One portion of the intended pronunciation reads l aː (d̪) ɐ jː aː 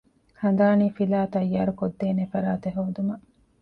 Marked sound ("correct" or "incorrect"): incorrect